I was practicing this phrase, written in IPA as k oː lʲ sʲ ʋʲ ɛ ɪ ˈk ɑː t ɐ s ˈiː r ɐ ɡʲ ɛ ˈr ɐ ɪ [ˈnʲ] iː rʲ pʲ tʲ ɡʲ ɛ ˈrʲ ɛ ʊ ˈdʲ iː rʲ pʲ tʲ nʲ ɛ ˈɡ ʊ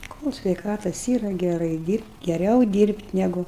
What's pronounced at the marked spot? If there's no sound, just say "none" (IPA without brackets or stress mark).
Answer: dʲ